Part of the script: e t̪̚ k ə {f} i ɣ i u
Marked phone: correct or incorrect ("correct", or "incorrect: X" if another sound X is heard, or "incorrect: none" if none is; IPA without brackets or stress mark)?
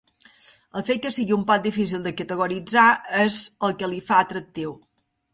incorrect: s